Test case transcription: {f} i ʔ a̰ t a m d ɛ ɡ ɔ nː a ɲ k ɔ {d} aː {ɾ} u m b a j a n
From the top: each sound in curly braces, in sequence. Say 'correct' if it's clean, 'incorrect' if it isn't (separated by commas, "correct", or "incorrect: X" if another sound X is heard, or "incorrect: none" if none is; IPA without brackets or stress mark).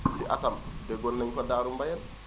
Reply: incorrect: s, correct, correct